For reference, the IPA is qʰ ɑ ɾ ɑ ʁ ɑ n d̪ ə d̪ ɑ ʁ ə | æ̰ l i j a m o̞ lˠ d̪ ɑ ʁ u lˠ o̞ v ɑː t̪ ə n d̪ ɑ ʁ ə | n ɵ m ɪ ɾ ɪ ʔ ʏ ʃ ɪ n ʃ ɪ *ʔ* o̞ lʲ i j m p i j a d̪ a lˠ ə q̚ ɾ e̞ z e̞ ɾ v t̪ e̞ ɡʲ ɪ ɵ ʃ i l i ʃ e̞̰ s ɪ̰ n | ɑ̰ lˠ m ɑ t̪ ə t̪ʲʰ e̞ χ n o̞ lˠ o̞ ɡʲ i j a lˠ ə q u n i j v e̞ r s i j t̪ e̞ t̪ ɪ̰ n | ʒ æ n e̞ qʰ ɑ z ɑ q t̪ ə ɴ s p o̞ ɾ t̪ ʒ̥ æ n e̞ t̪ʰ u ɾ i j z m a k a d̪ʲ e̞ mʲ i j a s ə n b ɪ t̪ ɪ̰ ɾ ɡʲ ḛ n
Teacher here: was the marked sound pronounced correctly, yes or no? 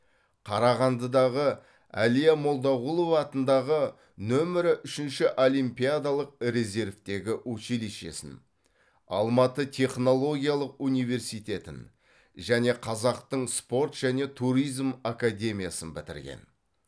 yes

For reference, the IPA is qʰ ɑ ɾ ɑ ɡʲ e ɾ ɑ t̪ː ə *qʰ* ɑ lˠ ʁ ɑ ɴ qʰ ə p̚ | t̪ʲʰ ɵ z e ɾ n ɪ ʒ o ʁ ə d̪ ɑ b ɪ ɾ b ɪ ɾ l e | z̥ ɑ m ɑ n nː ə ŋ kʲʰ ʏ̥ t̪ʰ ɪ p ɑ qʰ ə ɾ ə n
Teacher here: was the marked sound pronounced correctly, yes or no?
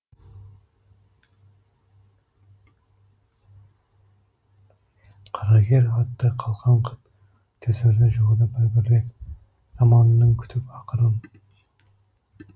yes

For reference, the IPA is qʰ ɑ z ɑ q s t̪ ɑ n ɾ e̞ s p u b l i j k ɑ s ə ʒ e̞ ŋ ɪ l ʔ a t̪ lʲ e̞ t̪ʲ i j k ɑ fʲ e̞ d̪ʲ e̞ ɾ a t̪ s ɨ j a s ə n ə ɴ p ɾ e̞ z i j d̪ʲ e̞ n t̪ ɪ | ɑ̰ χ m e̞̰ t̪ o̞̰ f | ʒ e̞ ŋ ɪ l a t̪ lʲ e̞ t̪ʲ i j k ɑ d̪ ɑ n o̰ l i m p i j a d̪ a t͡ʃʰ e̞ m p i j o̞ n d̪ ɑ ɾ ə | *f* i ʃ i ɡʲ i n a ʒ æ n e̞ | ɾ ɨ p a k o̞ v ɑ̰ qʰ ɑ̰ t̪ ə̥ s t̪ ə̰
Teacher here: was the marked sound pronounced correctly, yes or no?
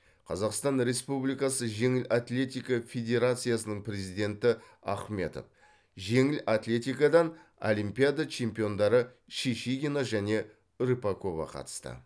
no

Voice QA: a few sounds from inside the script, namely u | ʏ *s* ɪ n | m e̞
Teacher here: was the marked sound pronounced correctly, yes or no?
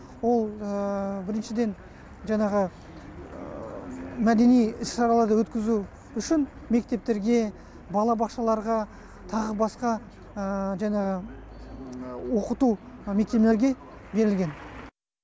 no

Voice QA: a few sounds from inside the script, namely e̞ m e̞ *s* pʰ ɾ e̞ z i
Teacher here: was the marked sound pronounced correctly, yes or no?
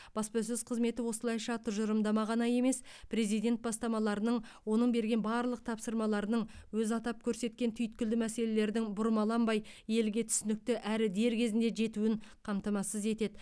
yes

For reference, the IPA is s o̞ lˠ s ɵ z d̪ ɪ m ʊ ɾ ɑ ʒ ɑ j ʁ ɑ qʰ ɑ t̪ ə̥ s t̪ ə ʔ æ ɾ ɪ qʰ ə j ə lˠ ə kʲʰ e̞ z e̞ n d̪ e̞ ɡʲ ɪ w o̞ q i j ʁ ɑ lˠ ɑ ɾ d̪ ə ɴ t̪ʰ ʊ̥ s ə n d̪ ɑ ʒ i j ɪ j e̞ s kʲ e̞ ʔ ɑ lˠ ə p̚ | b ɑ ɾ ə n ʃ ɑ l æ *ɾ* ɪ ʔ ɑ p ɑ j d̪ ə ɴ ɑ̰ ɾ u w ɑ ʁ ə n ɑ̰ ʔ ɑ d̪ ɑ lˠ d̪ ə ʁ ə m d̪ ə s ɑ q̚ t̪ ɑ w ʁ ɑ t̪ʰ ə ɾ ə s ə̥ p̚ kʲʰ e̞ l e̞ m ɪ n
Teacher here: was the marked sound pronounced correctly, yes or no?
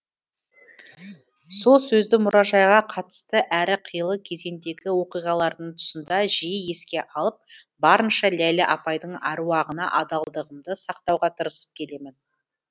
no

